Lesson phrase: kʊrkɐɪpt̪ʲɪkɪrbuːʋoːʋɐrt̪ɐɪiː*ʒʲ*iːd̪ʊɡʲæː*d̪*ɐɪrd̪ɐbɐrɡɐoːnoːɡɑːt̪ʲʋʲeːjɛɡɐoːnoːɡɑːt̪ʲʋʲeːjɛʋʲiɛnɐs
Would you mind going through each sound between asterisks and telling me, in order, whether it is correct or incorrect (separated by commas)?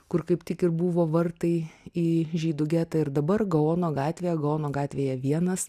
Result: correct, incorrect